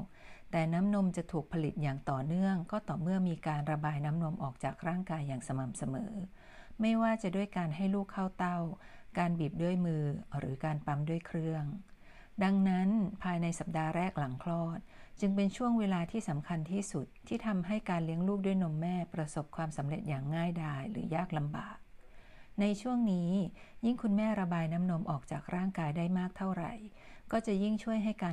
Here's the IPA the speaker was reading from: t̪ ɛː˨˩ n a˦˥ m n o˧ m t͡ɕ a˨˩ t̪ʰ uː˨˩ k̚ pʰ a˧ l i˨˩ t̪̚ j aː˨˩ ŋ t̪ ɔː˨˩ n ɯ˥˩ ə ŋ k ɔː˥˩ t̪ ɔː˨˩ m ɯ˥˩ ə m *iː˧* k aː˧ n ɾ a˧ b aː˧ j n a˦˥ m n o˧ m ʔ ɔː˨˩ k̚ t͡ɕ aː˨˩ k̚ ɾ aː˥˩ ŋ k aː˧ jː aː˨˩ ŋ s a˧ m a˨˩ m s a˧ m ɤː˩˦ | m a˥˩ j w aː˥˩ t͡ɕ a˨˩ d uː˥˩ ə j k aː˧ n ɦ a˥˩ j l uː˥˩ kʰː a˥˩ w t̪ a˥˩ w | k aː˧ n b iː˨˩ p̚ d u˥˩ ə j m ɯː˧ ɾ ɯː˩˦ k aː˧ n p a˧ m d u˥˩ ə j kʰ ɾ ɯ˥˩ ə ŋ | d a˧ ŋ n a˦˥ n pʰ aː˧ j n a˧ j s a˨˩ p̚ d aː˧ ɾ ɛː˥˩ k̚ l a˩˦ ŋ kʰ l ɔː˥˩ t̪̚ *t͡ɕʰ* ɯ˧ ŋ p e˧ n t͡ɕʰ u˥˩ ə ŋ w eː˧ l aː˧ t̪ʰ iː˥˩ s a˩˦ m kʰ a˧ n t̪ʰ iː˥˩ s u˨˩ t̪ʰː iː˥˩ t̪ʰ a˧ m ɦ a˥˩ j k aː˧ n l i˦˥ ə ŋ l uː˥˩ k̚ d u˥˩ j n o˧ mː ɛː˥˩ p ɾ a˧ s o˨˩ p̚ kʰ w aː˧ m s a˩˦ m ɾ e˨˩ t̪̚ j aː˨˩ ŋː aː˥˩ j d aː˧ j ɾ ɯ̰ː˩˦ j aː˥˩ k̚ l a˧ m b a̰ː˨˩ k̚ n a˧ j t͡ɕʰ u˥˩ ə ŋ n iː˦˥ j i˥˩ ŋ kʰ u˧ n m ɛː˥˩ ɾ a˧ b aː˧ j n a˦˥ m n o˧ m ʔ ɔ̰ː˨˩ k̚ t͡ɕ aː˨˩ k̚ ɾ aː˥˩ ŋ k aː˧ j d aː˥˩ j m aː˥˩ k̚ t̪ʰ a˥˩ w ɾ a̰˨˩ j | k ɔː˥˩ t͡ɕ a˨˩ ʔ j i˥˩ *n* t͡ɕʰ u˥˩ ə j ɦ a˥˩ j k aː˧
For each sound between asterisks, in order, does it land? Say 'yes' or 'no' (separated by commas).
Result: yes, no, no